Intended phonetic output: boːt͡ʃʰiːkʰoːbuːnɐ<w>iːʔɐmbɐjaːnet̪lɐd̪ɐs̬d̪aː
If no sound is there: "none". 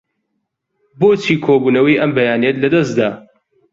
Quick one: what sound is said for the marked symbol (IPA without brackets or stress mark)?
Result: w